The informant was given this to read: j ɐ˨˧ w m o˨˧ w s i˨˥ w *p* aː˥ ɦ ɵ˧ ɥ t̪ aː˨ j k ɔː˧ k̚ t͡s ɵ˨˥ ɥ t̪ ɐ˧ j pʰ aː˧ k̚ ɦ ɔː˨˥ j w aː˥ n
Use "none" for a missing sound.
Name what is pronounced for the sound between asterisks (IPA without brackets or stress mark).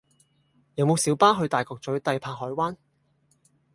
p